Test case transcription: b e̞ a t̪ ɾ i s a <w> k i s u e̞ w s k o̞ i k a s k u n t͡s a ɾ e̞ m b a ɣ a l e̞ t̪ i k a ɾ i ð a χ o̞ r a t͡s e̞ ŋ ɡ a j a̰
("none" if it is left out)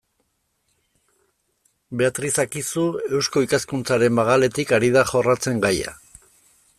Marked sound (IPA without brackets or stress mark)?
none